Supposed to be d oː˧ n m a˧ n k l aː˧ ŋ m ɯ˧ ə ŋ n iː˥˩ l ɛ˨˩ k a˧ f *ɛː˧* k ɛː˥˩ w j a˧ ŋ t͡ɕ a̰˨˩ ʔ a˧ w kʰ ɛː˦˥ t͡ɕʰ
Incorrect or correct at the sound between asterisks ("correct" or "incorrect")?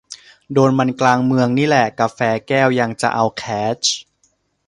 correct